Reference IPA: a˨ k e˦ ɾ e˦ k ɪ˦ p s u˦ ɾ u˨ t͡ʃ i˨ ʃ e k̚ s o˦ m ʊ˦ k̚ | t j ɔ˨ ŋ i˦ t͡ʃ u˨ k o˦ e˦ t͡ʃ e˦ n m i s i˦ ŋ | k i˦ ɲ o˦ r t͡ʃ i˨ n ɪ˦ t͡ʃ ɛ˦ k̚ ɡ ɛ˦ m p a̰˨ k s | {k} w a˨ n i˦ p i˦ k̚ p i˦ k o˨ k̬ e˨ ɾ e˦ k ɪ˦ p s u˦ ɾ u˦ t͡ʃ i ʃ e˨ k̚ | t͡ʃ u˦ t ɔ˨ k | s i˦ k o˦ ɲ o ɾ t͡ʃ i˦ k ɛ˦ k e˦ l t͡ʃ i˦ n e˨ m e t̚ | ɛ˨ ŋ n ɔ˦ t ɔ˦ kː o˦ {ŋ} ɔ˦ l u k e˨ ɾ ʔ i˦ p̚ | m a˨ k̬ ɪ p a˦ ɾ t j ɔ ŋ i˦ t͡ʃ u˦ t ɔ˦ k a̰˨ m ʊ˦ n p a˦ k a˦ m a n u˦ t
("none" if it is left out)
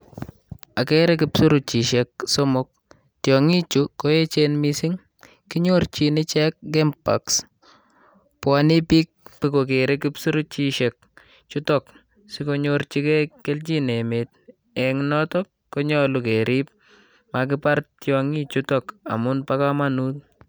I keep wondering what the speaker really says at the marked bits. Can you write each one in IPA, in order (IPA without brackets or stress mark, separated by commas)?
p, ɲ